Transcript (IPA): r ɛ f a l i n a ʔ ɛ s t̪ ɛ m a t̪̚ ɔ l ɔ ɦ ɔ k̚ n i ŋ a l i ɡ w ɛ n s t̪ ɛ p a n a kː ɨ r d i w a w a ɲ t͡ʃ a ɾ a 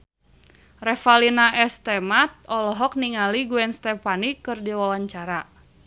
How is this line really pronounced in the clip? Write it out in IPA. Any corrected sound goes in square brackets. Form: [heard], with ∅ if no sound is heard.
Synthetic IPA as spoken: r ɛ f a l i n a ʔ ɛ s t̪ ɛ m a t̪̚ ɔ l ɔ ɦ ɔ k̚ n i ŋ a l i ɡ [u] ɛ n s t̪ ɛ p a n [i] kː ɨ r d i w a w a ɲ t͡ʃ a ɾ a

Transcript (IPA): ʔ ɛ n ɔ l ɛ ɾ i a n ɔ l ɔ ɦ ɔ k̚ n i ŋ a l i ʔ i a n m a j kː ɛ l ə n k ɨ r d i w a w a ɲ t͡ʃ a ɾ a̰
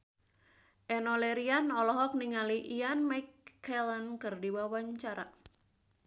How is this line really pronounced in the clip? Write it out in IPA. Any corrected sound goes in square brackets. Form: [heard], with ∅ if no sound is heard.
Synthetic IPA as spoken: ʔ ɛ n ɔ l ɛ ɾ i a n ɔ l ɔ ɦ ɔ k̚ n i ŋ a l i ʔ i a n m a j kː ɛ l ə n k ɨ r d i w a w a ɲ t͡ʃ a ɾ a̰

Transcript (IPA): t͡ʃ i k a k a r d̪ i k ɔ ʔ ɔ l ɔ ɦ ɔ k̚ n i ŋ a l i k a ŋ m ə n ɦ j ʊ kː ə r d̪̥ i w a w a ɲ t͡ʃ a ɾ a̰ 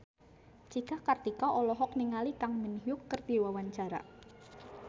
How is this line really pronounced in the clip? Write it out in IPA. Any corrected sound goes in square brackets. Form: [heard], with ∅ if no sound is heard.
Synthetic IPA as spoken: t͡ʃ i k a k a r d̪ i k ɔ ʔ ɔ l ɔ ɦ ɔ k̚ n i ŋ a l i k a ŋ m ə n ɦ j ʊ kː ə r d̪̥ i w a w a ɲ t͡ʃ a ɾ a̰

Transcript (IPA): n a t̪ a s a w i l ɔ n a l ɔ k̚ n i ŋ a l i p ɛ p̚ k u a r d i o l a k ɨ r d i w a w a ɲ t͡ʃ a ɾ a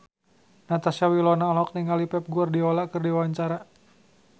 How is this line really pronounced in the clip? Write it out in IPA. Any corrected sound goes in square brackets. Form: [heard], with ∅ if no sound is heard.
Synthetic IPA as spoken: n a t̪ a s a w i l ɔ n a l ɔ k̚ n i ŋ a l i p ɛ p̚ [ɡ] u a r d i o l a k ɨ r d i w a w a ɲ t͡ʃ a ɾ a

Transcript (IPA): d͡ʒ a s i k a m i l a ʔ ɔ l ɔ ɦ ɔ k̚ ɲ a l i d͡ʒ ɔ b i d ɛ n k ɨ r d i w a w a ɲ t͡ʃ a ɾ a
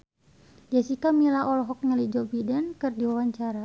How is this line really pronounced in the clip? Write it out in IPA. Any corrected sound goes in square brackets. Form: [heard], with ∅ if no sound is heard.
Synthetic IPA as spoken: d͡ʒ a s i k a m i l a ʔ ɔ l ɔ ɦ ɔ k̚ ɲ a l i d͡ʒ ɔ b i d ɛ n k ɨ r d i w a w a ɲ t͡ʃ a ɾ a

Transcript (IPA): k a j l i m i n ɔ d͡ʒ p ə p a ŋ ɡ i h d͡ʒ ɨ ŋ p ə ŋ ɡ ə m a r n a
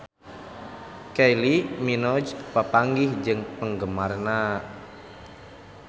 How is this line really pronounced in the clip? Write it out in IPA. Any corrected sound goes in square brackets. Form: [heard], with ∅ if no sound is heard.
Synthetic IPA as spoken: k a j l i m i n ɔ d͡ʒ p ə p a ŋ ɡ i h d͡ʒ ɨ ŋ p ə ŋ ɡ ə m a r n a

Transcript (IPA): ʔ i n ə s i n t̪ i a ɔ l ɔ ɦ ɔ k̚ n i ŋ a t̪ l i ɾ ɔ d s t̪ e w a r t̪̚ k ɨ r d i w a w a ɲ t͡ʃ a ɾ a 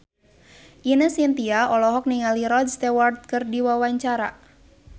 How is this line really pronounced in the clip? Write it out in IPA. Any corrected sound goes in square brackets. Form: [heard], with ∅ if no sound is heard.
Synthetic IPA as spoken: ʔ i n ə s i n t̪ i a ɔ l ɔ ɦ ɔ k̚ n i ŋ a [∅] l i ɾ ɔ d s t̪ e w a r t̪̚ k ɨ r d i w a w a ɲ t͡ʃ a ɾ a

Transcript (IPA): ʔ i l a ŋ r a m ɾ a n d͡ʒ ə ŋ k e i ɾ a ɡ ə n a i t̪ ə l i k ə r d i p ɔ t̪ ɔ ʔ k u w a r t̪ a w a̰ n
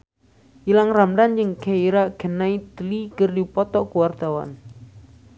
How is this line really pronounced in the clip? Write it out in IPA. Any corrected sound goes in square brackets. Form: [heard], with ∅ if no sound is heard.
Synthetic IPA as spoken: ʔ i l a ŋ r a m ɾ a n d͡ʒ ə ŋ k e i ɾ a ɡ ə n a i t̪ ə l i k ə r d i p ɔ t̪ ɔ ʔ k u w a r t̪ a w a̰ n

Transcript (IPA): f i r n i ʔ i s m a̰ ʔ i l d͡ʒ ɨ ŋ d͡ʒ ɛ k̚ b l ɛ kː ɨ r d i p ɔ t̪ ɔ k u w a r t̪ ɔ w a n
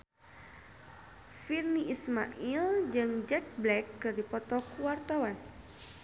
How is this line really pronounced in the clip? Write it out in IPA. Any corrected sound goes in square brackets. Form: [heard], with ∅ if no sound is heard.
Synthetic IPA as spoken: f i r n i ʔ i s m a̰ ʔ i l d͡ʒ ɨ ŋ d͡ʒ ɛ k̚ b l ɛ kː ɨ r d i p ɔ t̪ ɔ k u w a r t̪ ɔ w a n

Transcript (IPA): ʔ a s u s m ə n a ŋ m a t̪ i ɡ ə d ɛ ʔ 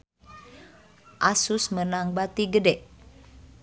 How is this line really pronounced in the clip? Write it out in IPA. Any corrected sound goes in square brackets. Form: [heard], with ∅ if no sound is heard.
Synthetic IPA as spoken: ʔ a s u s m ə n a ŋ [b] a t̪ i ɡ ə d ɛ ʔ

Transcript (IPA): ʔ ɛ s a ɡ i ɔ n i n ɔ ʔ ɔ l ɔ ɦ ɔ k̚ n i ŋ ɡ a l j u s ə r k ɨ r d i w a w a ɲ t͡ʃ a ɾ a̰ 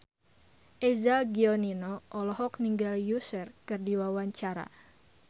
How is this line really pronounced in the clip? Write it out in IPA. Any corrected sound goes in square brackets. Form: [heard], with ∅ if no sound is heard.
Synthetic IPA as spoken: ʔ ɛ [z] a ɡ i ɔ n i n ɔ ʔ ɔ l ɔ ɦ ɔ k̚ n i ŋ ɡ a l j u s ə r k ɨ r d i w a w a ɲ t͡ʃ a ɾ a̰

